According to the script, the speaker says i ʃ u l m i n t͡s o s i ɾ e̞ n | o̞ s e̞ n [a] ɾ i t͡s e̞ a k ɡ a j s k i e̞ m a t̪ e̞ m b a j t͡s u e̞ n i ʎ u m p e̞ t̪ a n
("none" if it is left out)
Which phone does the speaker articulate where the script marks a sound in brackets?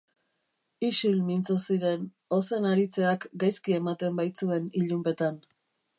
a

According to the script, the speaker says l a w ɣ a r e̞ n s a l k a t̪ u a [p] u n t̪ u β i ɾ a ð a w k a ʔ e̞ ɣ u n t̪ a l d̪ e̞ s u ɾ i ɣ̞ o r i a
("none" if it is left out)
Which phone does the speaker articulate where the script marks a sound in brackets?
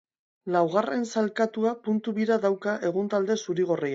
p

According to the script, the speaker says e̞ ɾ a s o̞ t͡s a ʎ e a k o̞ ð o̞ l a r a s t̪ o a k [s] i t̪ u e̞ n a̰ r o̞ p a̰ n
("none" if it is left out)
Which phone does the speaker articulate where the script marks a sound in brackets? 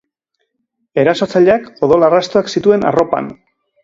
s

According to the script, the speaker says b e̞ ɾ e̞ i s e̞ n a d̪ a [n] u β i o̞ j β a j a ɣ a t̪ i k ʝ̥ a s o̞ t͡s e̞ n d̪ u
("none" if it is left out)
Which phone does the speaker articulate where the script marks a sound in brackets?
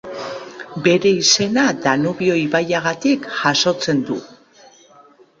n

